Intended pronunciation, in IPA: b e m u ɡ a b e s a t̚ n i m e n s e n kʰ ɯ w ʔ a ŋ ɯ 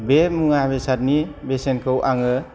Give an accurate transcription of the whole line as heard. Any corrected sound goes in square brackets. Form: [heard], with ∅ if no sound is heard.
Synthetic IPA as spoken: b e m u [ŋ] a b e s a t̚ n i [b] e [∅] s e n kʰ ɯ w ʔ a ŋ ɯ